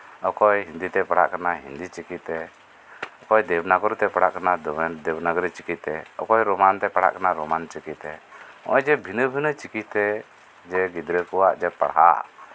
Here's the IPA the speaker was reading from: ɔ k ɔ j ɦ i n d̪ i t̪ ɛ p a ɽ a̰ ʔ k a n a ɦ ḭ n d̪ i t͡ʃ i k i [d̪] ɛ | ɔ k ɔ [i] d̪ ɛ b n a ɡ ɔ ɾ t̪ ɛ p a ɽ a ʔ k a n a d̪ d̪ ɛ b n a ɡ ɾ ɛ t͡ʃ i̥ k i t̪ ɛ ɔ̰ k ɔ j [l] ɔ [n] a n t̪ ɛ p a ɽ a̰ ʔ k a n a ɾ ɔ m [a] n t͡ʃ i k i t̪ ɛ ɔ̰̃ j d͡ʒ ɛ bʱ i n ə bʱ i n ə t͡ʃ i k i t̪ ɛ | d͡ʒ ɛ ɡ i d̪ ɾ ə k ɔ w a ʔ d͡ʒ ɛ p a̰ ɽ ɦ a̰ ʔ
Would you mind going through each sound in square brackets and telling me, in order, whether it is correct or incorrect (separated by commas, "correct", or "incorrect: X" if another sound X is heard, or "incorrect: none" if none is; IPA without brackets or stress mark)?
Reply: incorrect: t̪, incorrect: j, incorrect: ɾ, incorrect: m, correct